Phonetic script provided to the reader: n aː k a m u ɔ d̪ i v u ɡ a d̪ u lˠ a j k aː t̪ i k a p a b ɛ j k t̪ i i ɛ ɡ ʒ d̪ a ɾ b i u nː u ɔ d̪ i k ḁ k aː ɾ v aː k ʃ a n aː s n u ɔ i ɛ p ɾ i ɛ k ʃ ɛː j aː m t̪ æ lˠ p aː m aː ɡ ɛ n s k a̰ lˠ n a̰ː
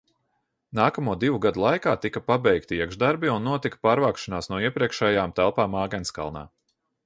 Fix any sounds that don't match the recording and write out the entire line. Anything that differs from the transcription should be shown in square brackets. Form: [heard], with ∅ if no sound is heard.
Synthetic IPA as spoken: n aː k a m u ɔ d̪ i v u ɡ a d̪ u lˠ a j k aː t̪ i k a p a b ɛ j k t̪ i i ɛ ɡ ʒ d̪ a ɾ b i u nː u ɔ [t̪] i k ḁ [p] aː ɾ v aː k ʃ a n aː s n u ɔ i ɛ p ɾ i ɛ k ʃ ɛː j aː m t̪ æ lˠ p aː m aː ɡ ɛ n s k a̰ lˠ n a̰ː